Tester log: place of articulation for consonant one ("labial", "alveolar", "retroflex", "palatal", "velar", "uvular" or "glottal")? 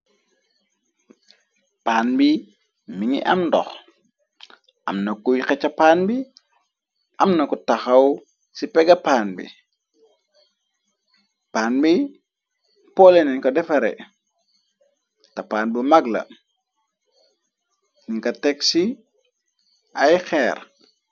labial